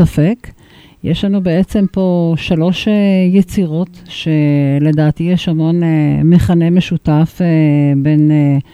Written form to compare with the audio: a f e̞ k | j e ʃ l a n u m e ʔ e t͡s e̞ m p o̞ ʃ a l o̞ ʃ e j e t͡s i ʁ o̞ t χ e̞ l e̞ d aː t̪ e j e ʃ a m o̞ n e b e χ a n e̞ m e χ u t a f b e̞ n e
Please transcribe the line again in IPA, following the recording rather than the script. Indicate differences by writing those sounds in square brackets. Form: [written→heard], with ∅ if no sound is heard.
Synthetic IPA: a f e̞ k | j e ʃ l a n u [m→b] e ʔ e t͡s e̞ m p o̞ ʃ a l o̞ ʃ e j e t͡s i ʁ o̞ t [χ→ʃ] e̞ l e̞ d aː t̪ [e→i] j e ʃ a m o̞ n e [b→m] e χ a n e̞ m e [χ→ʃ] u t a f b e̞ n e